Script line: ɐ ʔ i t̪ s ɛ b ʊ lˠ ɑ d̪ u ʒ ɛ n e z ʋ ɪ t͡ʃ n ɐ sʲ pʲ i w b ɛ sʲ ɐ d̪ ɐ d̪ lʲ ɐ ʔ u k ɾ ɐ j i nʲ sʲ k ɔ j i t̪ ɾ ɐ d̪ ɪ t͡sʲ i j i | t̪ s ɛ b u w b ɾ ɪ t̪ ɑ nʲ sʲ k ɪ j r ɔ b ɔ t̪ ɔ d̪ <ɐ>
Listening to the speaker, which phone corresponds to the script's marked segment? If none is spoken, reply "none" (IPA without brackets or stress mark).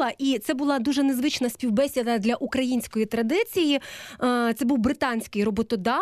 ɑ